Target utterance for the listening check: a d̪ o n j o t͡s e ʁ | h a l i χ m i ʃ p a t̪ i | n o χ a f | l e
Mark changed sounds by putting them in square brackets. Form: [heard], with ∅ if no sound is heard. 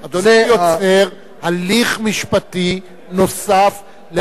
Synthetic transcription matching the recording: a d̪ o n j o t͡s e ʁ | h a l i χ m i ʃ p a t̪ i | n o [s] a f | l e